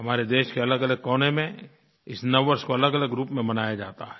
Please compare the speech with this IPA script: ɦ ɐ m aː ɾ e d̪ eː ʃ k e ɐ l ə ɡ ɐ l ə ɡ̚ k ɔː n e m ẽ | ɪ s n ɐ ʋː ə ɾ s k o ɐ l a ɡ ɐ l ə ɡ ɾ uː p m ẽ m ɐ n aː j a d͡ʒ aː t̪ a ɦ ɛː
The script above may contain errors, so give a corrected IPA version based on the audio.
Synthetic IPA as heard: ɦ ɐ m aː ɾ e d̪ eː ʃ k e ɐ l ə ɡ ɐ l ə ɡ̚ k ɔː n e m ẽ | ɪ s n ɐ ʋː ə ɾ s k o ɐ l ə ɡ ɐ l ə ɡ ɾ uː p m ẽ m ɐ n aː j a d͡ʒ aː t̪ a ɦ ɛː